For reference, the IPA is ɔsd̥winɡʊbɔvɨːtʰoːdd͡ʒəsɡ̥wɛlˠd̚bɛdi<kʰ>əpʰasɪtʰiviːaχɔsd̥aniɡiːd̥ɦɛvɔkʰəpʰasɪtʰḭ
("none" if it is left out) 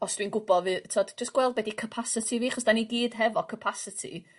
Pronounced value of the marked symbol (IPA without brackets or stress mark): kʰ